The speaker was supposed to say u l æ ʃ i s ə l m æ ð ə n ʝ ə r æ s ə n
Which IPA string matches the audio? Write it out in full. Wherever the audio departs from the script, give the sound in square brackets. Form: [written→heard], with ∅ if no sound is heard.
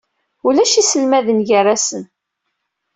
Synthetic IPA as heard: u l æ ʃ i s ə l m æ ð ə n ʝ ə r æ s ə n